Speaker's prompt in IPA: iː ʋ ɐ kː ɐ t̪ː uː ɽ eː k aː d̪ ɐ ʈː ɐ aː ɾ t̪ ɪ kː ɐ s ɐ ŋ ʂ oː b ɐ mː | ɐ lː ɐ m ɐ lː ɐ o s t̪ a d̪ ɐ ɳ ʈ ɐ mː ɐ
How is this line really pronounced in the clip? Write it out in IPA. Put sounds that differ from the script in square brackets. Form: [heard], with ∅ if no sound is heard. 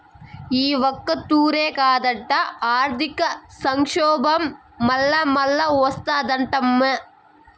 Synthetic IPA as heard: iː ʋ ɐ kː ɐ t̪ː uː [ɾ] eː k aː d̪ ɐ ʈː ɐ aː ɾ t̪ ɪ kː ɐ s ɐ ŋ ʂ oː b ɐ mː | ɐ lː ɐ m ɐ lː ɐ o s t̪ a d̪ ɐ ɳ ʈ ɐ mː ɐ